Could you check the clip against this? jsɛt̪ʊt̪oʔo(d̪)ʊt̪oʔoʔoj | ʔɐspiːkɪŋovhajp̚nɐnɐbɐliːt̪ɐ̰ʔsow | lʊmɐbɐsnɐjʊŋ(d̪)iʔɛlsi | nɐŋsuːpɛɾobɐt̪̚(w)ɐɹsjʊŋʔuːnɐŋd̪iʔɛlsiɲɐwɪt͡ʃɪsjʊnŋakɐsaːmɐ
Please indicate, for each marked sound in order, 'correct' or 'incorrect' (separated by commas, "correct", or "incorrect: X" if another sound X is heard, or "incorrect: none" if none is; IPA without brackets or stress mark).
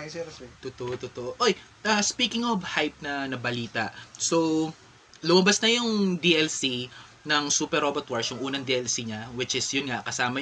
incorrect: t̪, correct, correct